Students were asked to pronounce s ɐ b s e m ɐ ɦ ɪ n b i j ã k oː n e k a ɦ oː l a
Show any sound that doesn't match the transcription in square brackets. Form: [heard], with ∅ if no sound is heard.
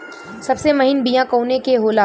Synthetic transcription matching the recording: s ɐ b s e m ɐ ɦ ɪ n b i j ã k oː n e k [e] ɦ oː l a